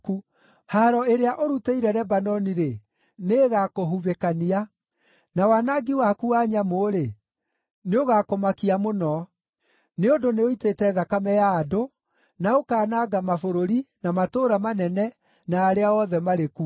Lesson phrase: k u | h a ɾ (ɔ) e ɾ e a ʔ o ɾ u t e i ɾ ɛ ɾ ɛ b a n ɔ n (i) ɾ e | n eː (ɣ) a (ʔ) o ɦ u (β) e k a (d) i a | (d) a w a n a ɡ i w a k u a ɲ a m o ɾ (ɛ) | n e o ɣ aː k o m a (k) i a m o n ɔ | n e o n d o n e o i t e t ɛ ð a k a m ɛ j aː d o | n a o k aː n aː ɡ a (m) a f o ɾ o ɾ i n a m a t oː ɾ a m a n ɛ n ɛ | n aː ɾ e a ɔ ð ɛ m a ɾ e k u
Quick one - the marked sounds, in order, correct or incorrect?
correct, correct, correct, incorrect: k, correct, incorrect: n, incorrect: n, incorrect: e, correct, correct

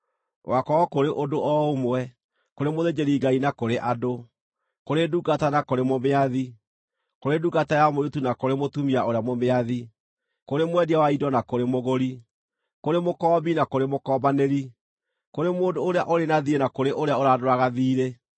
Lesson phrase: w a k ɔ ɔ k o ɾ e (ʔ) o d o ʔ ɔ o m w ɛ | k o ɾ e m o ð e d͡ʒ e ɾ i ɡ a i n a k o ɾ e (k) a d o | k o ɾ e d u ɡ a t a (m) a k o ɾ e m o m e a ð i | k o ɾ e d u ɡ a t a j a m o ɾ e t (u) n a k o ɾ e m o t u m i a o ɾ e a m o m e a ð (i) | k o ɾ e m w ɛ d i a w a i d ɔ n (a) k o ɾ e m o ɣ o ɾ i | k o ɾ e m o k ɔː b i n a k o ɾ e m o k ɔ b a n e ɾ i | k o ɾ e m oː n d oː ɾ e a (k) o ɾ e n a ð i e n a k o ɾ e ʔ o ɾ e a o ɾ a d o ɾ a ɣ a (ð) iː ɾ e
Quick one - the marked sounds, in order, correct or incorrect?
correct, incorrect: ʔ, incorrect: n, correct, correct, correct, incorrect: ʔ, correct

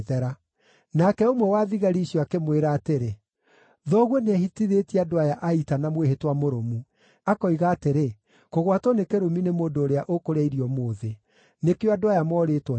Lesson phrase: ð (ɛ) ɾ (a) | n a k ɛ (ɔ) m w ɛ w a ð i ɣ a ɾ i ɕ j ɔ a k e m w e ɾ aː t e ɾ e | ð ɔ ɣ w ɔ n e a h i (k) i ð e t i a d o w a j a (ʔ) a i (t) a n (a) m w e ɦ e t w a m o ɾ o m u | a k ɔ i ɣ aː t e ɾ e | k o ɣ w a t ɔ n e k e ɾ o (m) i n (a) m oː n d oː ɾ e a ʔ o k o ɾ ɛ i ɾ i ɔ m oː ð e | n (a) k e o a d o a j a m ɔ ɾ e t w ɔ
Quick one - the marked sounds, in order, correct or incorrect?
correct, correct, incorrect: o, incorrect: t, correct, correct, correct, correct, incorrect: e, incorrect: e

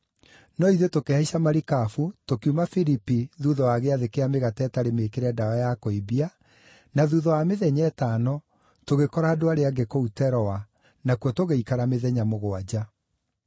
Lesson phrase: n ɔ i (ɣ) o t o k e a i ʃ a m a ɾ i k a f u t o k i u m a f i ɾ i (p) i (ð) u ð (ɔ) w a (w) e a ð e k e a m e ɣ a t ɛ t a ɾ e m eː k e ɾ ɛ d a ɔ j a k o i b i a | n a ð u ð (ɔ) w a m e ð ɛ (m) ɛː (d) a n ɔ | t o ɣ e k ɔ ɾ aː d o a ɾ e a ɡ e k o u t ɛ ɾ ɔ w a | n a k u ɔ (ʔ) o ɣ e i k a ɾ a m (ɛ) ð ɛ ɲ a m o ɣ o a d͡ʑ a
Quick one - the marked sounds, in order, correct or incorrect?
incorrect: ð, correct, correct, correct, incorrect: ɣ, correct, incorrect: ɲ, incorrect: t, incorrect: t, incorrect: e

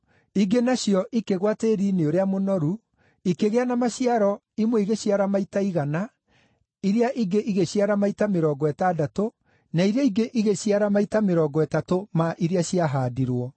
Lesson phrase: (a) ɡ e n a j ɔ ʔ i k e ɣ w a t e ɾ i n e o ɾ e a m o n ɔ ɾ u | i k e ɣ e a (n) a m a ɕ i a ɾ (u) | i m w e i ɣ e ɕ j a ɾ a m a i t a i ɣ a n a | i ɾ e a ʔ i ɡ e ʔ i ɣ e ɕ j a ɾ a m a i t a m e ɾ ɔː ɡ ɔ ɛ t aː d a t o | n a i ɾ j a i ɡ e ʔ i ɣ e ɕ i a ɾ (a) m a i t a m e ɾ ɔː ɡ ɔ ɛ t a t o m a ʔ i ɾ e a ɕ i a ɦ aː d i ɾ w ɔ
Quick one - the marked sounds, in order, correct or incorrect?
incorrect: i, correct, incorrect: ɔ, correct

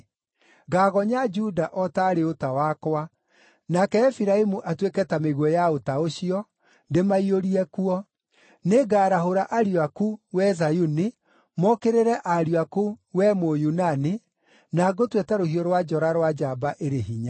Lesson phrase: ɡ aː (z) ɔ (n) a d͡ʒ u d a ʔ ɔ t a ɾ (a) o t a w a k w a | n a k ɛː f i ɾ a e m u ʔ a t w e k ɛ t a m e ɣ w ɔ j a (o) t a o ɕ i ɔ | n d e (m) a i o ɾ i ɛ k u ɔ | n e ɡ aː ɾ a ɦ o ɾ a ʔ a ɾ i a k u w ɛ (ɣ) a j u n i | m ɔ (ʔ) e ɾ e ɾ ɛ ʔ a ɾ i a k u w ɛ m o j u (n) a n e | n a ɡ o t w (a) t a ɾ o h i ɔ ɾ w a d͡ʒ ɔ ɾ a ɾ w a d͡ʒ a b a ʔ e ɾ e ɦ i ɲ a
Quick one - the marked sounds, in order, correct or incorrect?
incorrect: ɣ, incorrect: ɲ, incorrect: e, correct, correct, incorrect: z, incorrect: k, correct, incorrect: e

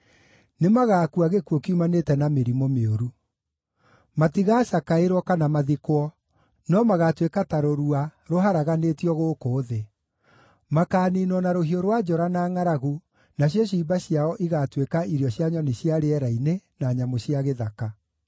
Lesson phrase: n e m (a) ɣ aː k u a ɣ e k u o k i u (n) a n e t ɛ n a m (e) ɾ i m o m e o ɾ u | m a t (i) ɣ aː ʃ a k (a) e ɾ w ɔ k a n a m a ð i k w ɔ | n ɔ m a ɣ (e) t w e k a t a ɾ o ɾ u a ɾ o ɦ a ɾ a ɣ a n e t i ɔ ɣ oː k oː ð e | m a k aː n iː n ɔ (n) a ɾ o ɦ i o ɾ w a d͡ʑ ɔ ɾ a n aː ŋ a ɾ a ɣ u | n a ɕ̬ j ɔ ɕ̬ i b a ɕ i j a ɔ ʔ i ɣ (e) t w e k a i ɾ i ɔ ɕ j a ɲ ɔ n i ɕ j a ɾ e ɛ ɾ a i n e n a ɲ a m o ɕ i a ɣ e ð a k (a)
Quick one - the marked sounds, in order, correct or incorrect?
correct, incorrect: m, correct, correct, correct, incorrect: a, correct, incorrect: a, correct

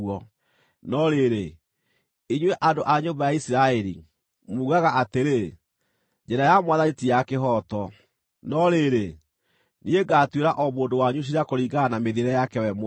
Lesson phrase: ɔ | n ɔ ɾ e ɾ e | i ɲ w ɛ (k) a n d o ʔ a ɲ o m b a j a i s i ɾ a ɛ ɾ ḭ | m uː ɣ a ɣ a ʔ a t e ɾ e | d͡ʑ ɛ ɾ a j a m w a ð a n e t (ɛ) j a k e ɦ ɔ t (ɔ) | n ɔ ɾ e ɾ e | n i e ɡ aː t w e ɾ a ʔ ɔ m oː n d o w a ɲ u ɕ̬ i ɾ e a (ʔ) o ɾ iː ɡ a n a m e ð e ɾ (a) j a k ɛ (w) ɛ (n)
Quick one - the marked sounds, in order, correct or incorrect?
incorrect: ʔ, incorrect: i, correct, incorrect: k, incorrect: ɛ, correct, incorrect: m

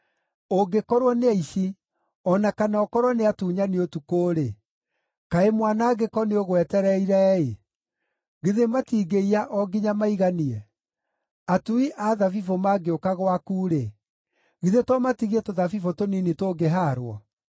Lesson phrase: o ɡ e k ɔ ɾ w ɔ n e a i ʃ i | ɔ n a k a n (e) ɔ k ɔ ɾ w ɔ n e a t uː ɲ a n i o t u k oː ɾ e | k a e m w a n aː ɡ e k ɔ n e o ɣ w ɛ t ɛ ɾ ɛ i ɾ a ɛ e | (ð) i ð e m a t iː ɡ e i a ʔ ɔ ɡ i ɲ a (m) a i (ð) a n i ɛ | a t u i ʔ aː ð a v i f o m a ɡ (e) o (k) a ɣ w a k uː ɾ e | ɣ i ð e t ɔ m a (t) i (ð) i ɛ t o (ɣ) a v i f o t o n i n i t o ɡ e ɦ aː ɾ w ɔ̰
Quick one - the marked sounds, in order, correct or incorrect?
incorrect: a, incorrect: ɣ, correct, incorrect: ɣ, correct, correct, correct, incorrect: ɣ, incorrect: ð

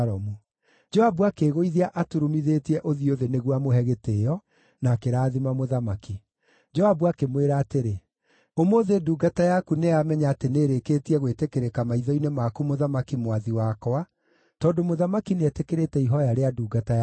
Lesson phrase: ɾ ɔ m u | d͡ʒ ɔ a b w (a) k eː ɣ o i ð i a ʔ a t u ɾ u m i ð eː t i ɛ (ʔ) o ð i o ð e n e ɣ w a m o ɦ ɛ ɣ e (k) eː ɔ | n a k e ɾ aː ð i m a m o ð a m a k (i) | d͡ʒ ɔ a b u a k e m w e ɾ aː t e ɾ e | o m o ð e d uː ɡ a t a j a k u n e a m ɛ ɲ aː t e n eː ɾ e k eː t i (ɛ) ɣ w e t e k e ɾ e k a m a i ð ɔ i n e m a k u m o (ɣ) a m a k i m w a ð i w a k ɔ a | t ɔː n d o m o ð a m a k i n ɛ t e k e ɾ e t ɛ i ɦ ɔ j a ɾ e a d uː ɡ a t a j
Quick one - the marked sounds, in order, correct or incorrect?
correct, correct, incorrect: t, correct, correct, incorrect: ð

